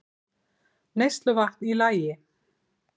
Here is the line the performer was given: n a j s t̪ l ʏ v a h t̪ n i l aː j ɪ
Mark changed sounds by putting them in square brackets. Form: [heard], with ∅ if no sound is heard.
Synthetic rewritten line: n [e] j s t̪ l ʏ v a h t̪ n i l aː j ɪ